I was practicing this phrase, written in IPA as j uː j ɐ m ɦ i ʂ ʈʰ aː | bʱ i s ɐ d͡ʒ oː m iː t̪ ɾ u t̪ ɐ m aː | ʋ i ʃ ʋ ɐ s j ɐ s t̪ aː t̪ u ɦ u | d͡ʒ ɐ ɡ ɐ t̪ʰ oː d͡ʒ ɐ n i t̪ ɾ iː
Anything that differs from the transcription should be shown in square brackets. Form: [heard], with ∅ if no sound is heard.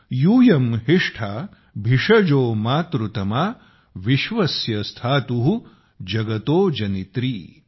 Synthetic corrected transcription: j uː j ɐ m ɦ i ʂ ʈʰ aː | bʱ i [ʂ] ɐ d͡ʒ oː m [aː] t̪ ɾ u t̪ ɐ m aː | ʋ i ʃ ʋ ɐ s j ɐ s [t̪ʰ] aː t̪ u ɦ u | d͡ʒ ɐ ɡ ɐ [t̪] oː d͡ʒ ɐ n i t̪ ɾ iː